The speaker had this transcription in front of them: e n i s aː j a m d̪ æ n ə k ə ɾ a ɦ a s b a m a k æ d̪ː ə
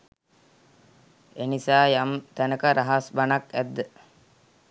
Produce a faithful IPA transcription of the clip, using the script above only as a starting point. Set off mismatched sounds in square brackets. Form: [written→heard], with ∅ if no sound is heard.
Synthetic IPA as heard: e n i s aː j a m [d̪→t̪] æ n ə k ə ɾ a ɦ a s b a [m→n] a k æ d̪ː ə